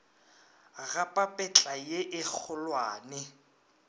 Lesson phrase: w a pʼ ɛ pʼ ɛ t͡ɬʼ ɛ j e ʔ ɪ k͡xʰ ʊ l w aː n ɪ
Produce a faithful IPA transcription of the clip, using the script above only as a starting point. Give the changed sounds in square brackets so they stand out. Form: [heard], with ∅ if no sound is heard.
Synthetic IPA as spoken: [ɣ] a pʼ [a] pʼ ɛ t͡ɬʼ [a] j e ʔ ɪ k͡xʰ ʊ l w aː n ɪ